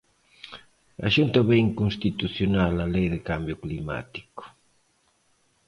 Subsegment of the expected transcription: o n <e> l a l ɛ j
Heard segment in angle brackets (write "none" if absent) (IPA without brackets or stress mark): a